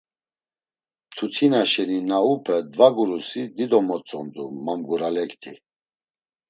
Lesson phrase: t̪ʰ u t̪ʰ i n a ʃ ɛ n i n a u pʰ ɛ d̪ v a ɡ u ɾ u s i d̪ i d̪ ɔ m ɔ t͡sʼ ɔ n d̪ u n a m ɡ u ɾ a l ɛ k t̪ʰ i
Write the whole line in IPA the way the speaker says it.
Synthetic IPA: t̪ʰ u t̪ʰ i n a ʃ ɛ n i n a u pʰ ɛ d̪ v a ɡ u ɾ u s i d̪ i d̪ ɔ m ɔ t͡sʼ ɔ n d̪ u m a m ɡ u ɾ a l ɛ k t̪ʰ i